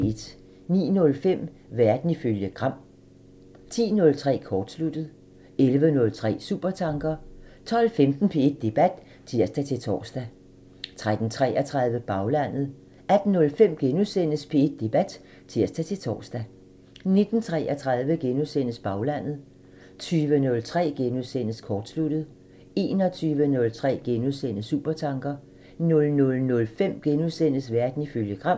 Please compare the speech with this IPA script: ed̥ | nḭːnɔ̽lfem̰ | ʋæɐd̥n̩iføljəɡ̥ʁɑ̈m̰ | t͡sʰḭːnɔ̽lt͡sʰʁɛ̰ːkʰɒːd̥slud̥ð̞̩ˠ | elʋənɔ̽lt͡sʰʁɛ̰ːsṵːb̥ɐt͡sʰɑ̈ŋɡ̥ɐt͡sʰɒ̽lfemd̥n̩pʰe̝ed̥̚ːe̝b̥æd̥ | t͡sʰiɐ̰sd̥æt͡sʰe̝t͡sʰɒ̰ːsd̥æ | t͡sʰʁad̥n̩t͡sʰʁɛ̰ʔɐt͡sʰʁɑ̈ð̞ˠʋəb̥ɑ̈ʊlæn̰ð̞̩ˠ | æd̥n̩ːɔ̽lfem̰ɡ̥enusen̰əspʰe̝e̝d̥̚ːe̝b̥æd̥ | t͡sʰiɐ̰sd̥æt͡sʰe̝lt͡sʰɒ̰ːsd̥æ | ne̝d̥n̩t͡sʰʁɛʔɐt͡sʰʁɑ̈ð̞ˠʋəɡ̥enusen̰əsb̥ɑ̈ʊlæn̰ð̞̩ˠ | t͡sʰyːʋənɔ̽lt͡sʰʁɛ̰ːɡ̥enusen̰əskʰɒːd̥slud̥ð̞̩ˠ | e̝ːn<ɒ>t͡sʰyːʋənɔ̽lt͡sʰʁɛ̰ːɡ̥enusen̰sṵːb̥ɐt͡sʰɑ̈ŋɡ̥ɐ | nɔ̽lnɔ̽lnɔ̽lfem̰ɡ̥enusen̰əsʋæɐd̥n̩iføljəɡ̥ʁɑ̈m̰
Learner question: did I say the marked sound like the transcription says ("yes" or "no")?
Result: yes